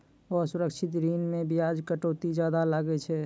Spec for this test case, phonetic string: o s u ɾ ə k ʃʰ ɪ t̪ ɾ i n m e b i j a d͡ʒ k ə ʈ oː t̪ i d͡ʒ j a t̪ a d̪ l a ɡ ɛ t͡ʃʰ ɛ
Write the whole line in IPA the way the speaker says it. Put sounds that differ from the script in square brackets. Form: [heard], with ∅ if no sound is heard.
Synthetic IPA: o s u ɾ ə k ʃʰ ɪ t̪ ɾ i n m e b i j a d͡ʒ k ə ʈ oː t̪ i d͡ʒ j a [d̪] a [∅] l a ɡ ɛ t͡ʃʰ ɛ